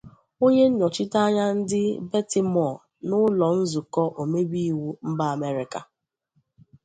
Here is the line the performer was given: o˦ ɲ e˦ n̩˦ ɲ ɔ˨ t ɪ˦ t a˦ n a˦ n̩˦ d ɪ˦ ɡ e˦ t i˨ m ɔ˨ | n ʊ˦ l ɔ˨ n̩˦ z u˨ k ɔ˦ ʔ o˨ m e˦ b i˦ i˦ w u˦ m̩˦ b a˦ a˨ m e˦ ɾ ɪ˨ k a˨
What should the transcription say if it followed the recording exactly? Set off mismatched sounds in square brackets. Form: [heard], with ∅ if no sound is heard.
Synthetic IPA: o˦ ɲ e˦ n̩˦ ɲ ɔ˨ [t͡ʃ] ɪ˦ t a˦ [ɲ] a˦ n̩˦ d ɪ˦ [b] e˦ t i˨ m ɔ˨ | n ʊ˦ l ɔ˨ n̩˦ z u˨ k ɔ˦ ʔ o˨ m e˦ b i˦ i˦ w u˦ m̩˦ b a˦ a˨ m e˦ ɾ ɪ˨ k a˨